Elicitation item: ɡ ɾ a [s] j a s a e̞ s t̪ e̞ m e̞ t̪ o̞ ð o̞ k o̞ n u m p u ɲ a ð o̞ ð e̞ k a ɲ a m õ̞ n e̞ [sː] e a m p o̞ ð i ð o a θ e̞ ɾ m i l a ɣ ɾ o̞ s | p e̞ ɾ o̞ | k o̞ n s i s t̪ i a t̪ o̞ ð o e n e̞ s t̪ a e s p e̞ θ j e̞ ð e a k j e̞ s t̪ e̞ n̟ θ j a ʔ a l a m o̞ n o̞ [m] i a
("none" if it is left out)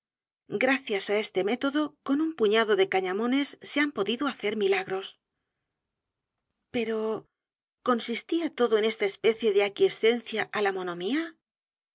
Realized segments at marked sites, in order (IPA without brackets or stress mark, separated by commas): θ, sː, m